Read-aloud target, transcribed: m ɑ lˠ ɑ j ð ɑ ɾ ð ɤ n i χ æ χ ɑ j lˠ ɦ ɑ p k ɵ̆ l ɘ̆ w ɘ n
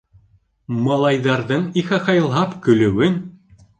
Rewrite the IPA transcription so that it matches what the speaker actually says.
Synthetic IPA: m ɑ lˠ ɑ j ð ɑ ɾ ð ɤ ɴ i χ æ χ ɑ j lˠ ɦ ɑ p k ɵ̆ l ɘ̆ w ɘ n

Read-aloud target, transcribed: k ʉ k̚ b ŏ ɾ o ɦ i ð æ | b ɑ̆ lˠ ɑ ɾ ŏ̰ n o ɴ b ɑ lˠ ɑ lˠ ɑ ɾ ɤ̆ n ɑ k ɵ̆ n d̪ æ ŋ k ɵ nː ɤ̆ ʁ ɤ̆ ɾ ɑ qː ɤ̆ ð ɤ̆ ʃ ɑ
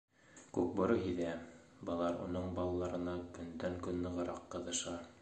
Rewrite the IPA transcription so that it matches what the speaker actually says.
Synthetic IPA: k ʉ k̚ b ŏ ɾ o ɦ i ð æ | b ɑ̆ lˠ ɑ ɾ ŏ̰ n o ɴ b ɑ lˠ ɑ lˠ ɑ ɾ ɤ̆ n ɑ k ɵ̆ n d̪ æ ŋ k ɵ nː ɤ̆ ʁ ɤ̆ ɾ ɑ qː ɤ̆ ð ɤ̆ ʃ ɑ

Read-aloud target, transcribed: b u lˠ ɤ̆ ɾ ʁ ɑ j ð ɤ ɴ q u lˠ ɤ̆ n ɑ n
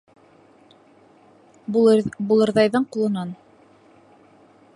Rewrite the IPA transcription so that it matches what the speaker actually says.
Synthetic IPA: b u lˠ ɤ̆ ɾ ð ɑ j ð ɤ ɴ q u lˠ ɤ̆ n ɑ n

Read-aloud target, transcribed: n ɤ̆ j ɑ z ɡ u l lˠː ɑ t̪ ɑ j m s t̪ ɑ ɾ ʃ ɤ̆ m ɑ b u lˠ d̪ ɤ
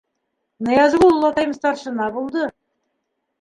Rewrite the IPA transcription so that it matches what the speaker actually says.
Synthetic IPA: n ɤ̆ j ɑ z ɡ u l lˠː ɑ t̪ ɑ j m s t̪ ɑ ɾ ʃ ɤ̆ n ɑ b u lˠ d̪ ɤ

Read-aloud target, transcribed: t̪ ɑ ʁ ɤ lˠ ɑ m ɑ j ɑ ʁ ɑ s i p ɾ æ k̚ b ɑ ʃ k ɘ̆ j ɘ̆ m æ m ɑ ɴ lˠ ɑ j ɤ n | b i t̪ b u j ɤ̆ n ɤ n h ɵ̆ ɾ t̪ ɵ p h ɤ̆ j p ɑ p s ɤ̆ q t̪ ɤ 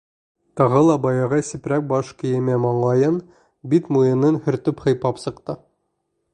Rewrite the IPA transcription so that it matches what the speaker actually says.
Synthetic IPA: t̪ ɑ ʁ ɤ lˠ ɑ b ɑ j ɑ ʁ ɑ s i p ɾ æ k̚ b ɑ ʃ k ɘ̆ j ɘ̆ m æ m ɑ ɴ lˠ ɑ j ɤ n | b i t̪ m u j ɤ̆ n ɤ n h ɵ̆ ɾ t̪ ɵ p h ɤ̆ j p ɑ p s ɤ̆ q t̪ ɤ

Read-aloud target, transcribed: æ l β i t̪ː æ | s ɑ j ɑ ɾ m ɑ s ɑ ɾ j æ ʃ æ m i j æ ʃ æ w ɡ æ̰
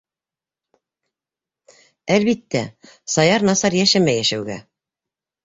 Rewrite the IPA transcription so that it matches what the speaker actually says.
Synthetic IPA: æ l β i t̪ː æ | s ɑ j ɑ ɾ n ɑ s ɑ ɾ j æ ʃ æ m æ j æ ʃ æ w ɡ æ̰

